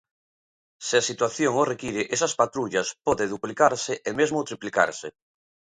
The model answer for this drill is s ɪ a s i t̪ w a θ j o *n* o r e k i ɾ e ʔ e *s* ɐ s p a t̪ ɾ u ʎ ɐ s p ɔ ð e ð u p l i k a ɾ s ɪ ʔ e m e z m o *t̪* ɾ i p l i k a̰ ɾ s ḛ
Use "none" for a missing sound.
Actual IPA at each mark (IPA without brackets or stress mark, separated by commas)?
ŋ, s, t̪